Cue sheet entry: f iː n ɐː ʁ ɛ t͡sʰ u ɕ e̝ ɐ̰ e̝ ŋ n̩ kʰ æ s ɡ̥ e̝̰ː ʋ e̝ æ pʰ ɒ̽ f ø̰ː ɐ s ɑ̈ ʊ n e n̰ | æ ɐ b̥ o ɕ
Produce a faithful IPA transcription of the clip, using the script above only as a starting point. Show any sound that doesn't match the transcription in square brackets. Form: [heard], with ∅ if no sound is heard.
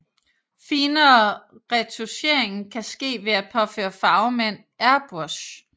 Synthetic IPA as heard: f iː n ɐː ʁ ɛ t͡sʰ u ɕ e̝ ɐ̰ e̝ ŋ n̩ kʰ æ s ɡ̥ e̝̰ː ʋ e̝ æ pʰ ɒ̽ f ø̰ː ɐ [f] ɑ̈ ʊ [m] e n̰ | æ ɐ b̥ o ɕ